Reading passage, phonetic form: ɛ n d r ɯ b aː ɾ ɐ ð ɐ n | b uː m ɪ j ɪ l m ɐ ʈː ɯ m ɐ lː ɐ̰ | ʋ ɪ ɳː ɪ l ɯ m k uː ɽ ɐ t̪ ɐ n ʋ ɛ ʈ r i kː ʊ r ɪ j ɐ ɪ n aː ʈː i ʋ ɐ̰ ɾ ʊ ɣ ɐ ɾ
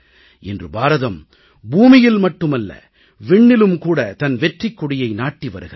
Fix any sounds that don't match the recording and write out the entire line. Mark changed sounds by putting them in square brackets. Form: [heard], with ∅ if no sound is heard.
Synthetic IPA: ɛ n d r ɯ b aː ɾ ɐ ð ɐ [m] | b uː m ɪ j ɪ l m ɐ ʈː ɯ m ɐ lː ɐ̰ | ʋ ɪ ɳː ɪ l ɯ m k uː ɽ ɐ t̪ ɐ n ʋ ɛ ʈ r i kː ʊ [ɽ] ɪ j ɐ ɪ n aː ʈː i ʋ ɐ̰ ɾ [ɯ] ɣ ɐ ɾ